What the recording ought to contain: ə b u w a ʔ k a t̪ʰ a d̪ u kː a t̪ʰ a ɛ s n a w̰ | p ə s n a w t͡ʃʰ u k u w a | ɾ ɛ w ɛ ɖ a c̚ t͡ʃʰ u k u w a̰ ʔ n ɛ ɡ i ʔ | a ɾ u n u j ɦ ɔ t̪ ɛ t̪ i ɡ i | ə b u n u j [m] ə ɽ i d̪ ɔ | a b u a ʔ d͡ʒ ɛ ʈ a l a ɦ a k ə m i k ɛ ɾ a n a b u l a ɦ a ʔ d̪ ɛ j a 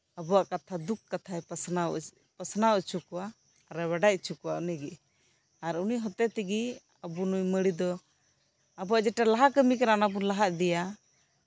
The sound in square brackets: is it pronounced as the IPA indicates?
yes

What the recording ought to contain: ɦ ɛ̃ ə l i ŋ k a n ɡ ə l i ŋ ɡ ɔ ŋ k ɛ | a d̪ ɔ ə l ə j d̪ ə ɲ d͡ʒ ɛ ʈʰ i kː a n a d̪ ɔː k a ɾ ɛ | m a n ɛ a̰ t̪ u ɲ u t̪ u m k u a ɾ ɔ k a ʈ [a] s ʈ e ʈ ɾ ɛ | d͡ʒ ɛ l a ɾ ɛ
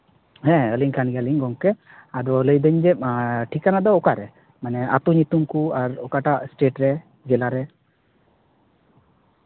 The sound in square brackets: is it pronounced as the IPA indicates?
yes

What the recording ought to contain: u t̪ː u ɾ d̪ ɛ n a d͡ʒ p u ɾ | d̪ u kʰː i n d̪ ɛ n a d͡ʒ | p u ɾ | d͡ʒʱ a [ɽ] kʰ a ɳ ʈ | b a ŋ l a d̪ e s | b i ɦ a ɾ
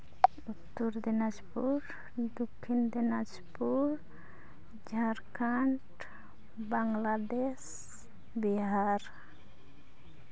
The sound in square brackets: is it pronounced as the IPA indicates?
no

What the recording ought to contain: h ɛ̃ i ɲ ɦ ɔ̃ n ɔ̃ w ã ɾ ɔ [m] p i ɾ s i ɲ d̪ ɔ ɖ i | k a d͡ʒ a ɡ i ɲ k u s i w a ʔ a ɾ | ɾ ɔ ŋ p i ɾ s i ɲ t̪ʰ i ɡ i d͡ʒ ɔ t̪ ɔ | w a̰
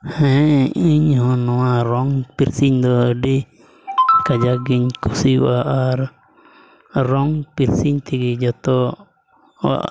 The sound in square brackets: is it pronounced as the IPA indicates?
no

